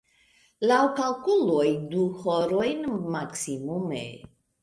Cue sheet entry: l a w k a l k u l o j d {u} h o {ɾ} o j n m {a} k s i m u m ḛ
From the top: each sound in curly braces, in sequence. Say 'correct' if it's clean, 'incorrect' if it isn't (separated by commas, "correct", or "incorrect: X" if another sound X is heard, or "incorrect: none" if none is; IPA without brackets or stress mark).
correct, correct, correct